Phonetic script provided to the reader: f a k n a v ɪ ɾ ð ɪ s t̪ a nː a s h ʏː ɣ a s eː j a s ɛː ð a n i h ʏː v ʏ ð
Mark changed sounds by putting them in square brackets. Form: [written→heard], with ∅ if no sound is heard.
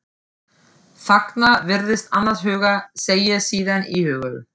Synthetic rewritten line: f a k n a v ɪ ɾ ð ɪ s t̪ a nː a s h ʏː ɣ a s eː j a s [ɛː→iː] ð a n i h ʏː [v→ɣ] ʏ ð